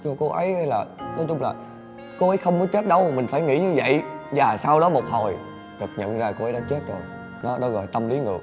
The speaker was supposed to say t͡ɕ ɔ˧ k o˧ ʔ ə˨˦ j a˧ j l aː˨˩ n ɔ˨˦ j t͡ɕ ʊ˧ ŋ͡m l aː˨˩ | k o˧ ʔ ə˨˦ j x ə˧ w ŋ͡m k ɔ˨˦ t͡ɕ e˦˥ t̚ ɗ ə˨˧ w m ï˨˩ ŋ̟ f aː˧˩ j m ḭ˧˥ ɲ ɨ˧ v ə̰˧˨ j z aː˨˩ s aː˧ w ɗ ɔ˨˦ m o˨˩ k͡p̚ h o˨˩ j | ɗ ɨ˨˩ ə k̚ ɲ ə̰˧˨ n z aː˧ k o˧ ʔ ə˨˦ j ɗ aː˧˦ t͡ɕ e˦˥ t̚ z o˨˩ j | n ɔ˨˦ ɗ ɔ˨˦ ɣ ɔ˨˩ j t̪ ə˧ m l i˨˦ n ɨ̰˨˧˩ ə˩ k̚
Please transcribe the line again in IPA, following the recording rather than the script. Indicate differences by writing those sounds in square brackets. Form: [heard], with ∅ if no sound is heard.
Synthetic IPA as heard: t͡ɕ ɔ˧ k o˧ ʔ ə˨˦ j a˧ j l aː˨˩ n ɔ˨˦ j t͡ɕ ʊ˧ ŋ͡m l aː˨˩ | k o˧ ʔ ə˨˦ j x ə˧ w ŋ͡m k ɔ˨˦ t͡ɕ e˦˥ t̚ ɗ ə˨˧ w m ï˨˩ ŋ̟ f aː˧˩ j [ŋ] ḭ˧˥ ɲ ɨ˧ v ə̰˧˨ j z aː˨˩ s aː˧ w ɗ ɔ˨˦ m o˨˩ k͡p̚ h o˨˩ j | ɗ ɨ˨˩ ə k̚ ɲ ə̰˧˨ n z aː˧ k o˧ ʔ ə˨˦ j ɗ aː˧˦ t͡ɕ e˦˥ t̚ z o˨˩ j | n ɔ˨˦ ɗ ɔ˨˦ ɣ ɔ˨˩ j t̪ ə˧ m l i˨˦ [ŋ] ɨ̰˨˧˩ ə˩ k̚

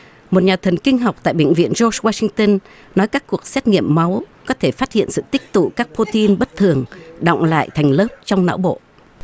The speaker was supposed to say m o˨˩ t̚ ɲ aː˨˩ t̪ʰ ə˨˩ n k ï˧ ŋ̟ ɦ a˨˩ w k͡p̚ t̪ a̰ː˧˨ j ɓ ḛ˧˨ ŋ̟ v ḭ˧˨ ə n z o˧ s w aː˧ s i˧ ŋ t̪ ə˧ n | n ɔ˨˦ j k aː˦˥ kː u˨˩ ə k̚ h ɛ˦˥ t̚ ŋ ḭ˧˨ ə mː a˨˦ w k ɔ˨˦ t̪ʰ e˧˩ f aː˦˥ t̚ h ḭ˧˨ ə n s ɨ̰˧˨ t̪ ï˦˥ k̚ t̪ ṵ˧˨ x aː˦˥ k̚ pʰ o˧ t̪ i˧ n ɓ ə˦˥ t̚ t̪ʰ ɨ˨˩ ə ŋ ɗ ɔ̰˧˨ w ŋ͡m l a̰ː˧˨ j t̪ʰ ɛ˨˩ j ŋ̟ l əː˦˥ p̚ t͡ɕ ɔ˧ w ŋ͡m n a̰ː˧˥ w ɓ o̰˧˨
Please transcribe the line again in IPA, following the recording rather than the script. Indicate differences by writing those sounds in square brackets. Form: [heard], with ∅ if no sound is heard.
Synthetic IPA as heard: m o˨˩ t̚ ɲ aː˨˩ t̪ʰ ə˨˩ n k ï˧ ŋ̟ ɦ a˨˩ w k͡p̚ t̪ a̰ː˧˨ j ɓ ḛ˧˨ ŋ̟ v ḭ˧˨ ə n z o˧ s w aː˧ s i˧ ŋ t̪ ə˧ n | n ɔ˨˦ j k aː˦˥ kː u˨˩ ə k̚ [s] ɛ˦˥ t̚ ŋ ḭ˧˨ ə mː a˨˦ w k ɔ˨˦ t̪ʰ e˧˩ f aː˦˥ t̚ h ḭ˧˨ ə n s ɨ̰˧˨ t̪ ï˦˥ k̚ t̪ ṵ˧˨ [k] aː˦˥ k̚ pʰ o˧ t̪ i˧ n ɓ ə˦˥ t̚ t̪ʰ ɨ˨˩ ə ŋ ɗ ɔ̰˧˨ w ŋ͡m l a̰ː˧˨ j t̪ʰ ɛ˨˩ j ŋ̟ l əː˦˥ p̚ t͡ɕ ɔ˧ w ŋ͡m n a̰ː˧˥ w ɓ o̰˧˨

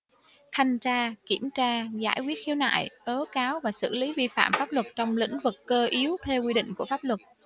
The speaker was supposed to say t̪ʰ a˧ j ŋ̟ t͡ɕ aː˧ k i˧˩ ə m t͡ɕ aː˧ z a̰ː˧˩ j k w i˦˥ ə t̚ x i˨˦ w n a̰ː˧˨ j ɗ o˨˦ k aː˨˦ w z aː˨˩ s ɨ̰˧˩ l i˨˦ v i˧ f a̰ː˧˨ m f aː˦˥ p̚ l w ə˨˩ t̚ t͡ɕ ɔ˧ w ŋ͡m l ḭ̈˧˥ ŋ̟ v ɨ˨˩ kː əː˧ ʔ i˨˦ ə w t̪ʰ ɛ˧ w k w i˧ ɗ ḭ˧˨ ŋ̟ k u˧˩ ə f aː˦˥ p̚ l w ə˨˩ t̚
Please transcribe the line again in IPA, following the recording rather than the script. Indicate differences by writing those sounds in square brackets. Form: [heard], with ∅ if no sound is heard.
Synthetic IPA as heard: t̪ʰ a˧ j ŋ̟ t͡ɕ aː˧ k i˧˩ ə m t͡ɕ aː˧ z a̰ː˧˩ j k w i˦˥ ə t̚ x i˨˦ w n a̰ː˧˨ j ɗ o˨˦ k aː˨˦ w [v] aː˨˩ s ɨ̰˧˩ l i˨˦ v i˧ f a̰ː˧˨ m f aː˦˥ p̚ l w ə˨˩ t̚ t͡ɕ ɔ˧ w ŋ͡m l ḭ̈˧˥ ŋ̟ v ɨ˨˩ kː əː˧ ʔ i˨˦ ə w t̪ʰ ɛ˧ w k w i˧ ɗ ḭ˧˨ ŋ̟ k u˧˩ ə f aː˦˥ p̚ l w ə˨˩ t̚

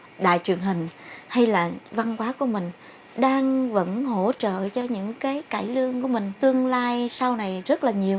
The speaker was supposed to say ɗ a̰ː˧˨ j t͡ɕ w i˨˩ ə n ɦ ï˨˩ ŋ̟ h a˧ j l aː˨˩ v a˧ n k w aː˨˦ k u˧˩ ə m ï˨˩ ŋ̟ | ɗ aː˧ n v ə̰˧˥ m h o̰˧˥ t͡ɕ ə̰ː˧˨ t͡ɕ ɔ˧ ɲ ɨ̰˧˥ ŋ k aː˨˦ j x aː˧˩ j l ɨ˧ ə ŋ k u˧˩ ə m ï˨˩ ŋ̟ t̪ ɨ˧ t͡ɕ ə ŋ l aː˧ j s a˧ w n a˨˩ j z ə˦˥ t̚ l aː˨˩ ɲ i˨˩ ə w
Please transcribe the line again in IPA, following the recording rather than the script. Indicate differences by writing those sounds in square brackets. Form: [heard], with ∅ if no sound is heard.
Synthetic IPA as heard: ɗ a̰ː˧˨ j t͡ɕ w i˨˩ ə n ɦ ï˨˩ ŋ̟ h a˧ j l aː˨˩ v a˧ n k w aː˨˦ k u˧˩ ə m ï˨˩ ŋ̟ | ɗ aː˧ [ŋ] v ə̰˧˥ [n] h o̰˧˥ t͡ɕ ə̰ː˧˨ t͡ɕ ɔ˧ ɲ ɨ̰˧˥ ŋ k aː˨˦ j [k] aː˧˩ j l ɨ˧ ə ŋ k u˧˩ ə m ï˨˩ ŋ̟ t̪ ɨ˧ [∅] ə ŋ l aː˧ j s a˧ w n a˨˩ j z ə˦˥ t̚ l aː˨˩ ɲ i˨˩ ə w

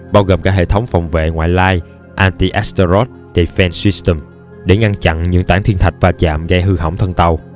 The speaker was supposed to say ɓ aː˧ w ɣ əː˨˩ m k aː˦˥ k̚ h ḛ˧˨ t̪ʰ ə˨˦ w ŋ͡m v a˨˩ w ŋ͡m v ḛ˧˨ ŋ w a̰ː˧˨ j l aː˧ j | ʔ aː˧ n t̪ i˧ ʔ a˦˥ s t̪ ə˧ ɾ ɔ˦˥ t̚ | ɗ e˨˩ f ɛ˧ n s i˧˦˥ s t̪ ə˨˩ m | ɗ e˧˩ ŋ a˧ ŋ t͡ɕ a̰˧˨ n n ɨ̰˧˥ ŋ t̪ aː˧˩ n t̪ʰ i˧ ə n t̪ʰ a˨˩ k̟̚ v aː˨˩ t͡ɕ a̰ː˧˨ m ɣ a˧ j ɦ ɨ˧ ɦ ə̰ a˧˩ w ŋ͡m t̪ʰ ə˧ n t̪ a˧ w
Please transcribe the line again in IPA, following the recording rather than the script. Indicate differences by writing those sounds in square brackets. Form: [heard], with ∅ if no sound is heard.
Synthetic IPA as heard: ɓ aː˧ w ɣ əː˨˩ m k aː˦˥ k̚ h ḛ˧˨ t̪ʰ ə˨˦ w ŋ͡m [f] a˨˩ w ŋ͡m v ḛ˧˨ ŋ w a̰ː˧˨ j l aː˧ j | ʔ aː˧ n t̪ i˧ ʔ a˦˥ s t̪ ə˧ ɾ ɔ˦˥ t̚ | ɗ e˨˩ f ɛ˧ n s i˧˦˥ s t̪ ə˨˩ m | ɗ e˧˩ ŋ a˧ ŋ t͡ɕ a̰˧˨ n [ɲ] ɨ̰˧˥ ŋ t̪ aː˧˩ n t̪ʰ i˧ ə n t̪ʰ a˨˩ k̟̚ v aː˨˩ t͡ɕ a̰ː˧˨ m ɣ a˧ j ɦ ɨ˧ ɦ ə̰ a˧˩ w ŋ͡m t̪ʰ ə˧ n t̪ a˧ w

